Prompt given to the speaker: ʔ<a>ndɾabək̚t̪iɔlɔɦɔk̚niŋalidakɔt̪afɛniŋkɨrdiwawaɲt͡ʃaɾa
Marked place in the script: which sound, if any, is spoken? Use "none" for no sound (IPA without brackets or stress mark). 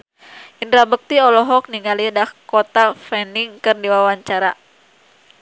i